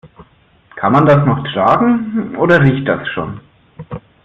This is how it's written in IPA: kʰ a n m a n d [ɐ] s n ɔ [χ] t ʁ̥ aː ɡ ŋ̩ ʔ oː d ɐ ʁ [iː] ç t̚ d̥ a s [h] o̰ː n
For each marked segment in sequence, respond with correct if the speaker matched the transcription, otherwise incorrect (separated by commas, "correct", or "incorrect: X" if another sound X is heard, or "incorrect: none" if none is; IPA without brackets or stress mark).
incorrect: a, correct, correct, incorrect: ʃ